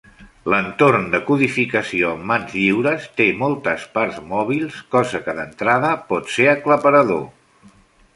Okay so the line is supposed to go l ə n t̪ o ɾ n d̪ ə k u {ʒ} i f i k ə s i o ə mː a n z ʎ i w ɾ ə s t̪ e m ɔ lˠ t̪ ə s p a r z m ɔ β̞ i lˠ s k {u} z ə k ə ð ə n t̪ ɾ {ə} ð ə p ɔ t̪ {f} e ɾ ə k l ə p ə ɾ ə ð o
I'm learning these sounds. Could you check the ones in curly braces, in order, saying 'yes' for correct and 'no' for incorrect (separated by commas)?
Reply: no, no, no, no